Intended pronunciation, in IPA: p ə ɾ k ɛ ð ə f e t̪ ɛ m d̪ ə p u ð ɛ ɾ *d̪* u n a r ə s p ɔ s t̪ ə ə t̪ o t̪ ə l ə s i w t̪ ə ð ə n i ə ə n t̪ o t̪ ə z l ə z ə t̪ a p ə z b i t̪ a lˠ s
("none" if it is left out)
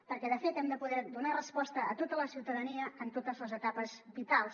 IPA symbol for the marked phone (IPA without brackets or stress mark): d̪